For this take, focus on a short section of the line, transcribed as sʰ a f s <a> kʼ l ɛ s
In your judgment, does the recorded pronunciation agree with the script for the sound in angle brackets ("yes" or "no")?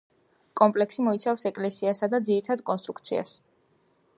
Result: no